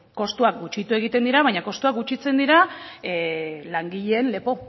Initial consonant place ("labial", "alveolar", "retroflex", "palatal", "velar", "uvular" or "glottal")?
velar